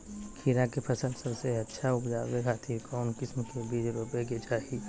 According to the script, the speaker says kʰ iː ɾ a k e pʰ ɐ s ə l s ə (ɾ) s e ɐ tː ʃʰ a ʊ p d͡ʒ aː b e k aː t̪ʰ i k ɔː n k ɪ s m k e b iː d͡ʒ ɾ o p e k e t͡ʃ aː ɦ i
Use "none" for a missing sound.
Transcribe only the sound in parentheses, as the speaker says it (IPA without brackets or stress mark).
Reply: ɾ